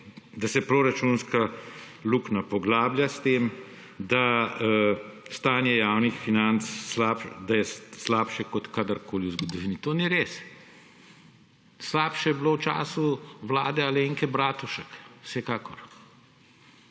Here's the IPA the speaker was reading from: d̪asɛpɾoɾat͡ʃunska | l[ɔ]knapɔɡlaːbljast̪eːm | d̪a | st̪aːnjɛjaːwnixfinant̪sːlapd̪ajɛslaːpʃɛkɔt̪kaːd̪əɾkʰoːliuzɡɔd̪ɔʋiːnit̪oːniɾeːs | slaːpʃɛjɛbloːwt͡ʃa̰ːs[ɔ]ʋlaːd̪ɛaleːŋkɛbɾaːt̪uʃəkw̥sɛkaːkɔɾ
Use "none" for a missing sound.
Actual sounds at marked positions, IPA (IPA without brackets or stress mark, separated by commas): u, u